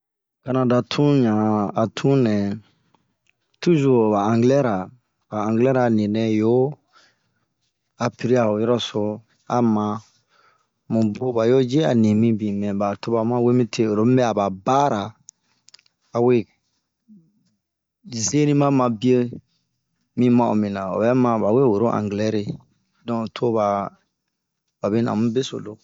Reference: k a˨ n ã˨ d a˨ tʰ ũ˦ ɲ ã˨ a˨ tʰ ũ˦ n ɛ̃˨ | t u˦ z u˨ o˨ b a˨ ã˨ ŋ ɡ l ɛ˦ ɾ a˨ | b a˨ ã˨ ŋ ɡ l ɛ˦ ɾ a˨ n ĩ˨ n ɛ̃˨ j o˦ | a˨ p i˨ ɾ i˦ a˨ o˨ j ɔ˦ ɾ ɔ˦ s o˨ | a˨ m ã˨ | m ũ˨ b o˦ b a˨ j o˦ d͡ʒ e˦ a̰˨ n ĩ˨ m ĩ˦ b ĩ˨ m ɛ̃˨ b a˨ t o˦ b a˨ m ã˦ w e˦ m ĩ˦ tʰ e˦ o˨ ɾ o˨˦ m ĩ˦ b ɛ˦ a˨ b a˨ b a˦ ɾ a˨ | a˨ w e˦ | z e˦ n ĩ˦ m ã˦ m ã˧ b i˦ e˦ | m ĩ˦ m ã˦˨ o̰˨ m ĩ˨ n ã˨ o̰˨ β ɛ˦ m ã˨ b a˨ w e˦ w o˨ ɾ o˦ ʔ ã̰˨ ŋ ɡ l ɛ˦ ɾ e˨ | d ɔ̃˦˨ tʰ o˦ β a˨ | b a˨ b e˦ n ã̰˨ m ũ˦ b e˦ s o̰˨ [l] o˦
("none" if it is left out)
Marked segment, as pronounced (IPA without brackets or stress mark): l